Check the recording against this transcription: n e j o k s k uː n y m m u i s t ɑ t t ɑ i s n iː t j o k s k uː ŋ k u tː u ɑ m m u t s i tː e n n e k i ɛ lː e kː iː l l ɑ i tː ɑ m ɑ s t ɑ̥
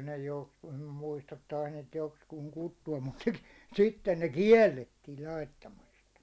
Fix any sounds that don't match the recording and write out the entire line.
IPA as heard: n e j o k s k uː n y m m u i s t ɑ t t ɑ i s n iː t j o k s k uː ŋ k u tː u ɑ m m u t s i tː e n n e k i ɛ lː e tː iː l l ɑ i tː ɑ m ɑ s t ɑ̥